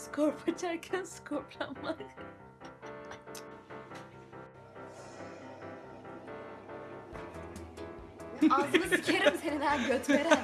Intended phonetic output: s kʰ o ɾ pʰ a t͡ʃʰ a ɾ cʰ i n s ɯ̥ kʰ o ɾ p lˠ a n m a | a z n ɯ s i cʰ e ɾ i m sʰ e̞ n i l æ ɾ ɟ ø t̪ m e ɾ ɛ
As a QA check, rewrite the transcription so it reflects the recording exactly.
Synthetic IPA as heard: s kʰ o ɾ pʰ a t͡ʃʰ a ɾ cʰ æ n s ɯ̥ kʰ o ɾ p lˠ a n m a | a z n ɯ s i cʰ e ɾ i m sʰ e̞ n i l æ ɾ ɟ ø t̪ m e ɾ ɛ